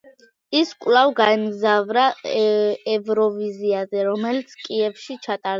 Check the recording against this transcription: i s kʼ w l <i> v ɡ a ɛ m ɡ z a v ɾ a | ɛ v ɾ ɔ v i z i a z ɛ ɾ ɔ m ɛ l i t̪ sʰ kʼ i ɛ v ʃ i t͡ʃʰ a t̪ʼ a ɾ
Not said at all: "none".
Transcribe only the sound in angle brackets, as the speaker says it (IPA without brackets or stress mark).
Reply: a